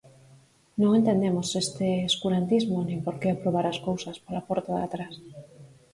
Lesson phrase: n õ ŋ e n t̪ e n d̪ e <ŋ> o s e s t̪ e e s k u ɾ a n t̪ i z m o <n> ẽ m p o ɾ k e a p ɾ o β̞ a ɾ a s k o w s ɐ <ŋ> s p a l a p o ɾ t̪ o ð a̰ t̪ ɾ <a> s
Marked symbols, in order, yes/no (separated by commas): no, yes, no, yes